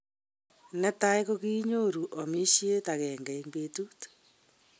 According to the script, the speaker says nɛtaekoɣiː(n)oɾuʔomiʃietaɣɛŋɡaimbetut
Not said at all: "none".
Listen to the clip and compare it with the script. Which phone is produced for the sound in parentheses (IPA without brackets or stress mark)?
ɲ